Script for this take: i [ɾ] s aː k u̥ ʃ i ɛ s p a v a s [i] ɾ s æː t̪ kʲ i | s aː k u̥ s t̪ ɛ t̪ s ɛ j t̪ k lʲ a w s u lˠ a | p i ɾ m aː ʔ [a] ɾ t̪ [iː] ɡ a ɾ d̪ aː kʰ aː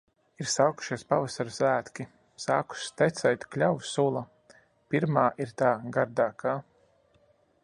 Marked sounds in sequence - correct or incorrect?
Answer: correct, incorrect: a, incorrect: i, incorrect: aː

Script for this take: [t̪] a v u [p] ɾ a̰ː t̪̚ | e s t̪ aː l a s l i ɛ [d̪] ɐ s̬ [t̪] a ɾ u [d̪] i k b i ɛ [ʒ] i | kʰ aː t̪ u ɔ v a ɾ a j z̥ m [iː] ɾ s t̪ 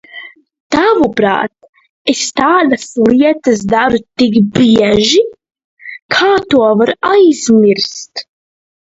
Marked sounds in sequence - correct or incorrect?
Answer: correct, correct, incorrect: t̪, incorrect: d̪, incorrect: t̪, correct, incorrect: i

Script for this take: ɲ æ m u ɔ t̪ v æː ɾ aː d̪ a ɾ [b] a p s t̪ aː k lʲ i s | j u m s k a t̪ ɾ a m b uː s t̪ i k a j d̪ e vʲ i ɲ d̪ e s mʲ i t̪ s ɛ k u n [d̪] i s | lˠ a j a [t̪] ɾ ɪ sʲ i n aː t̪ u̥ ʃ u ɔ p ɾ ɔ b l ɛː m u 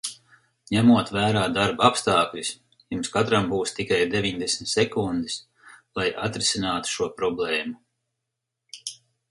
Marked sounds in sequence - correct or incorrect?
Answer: correct, correct, correct

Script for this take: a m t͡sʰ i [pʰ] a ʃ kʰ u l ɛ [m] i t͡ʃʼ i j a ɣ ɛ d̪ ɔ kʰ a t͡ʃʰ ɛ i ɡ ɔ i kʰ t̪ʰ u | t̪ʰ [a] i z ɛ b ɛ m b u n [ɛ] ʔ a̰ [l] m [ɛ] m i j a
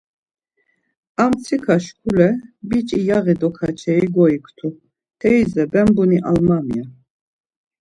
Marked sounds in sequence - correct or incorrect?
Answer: incorrect: kʰ, incorrect: b, incorrect: ɛ, incorrect: i, correct, incorrect: a

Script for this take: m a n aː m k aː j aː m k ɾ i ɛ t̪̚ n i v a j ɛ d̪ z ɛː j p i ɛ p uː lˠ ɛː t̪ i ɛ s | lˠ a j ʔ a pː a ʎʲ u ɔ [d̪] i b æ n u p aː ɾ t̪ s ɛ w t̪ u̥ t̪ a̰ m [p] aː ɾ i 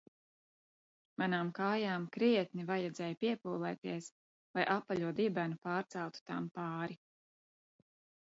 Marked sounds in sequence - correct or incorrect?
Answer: correct, correct

